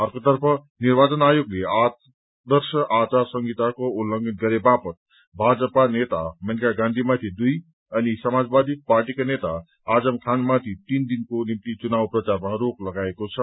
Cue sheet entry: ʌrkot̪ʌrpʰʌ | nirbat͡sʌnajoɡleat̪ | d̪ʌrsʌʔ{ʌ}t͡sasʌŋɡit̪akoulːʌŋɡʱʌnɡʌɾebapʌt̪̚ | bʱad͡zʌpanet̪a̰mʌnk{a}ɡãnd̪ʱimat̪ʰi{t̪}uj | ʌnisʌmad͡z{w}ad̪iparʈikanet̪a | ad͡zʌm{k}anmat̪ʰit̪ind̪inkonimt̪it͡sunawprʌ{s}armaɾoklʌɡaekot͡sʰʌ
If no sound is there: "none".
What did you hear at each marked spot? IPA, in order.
a, a, d̪, b, kʰ, t͡s

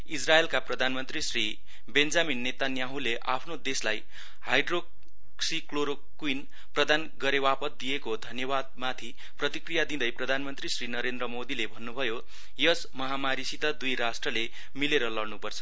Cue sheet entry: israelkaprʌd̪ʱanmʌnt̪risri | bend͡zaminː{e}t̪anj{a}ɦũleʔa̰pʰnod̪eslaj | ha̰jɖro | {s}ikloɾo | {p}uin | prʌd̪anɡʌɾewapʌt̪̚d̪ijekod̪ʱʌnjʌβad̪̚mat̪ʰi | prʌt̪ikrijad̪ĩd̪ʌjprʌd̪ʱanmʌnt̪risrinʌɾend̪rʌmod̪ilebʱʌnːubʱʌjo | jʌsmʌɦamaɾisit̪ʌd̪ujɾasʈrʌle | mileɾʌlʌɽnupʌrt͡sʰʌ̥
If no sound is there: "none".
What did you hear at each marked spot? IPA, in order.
e, a, s, k

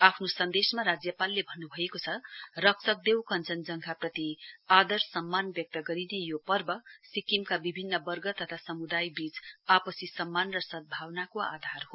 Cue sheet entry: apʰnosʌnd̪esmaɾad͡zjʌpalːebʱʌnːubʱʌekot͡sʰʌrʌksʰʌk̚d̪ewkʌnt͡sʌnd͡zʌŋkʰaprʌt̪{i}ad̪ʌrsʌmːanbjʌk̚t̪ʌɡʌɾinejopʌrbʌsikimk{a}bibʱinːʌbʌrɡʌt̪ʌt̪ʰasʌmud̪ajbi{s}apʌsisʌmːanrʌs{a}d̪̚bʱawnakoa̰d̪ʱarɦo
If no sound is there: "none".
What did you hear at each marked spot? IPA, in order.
i, a, t͡s, ʌ

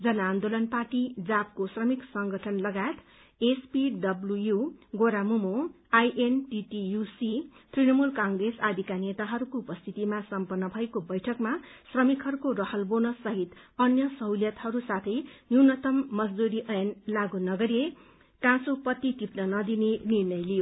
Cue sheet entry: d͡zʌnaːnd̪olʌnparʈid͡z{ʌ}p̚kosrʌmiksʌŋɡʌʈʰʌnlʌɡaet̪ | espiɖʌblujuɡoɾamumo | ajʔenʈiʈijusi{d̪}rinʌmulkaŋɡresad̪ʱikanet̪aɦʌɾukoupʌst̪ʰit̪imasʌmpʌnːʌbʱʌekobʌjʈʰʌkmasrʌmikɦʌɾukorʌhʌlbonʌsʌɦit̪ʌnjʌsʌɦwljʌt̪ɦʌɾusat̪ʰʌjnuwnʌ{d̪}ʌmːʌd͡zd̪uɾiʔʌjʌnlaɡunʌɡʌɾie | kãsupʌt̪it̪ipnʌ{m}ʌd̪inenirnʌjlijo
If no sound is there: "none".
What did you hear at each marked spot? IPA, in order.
a, t̪, t̪, n

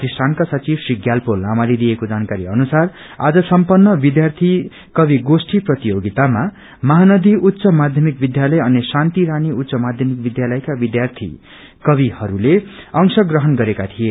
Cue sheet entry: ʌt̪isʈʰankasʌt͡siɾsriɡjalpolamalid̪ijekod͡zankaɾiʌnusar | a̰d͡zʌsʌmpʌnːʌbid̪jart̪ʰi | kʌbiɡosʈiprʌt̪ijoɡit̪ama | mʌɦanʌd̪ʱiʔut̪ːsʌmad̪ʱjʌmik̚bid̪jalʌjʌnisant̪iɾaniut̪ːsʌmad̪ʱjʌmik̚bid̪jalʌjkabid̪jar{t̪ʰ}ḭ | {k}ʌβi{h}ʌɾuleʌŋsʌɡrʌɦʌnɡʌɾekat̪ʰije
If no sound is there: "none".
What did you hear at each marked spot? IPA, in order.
t̪ʰ, k, h

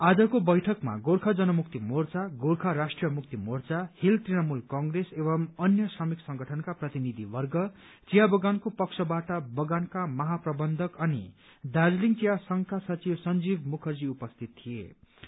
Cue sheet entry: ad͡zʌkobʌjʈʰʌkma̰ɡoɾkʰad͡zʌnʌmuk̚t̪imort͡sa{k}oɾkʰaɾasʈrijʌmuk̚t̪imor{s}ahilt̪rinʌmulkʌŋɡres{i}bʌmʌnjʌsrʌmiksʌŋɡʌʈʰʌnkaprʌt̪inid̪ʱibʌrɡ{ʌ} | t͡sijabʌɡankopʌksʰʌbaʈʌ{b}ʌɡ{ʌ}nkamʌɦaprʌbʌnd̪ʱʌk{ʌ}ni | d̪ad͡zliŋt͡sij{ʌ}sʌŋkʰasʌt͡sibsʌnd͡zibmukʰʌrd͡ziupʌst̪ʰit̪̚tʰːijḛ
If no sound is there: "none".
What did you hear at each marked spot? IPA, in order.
ɡ, t͡s, e, ʌ, b, a, ʌ, a

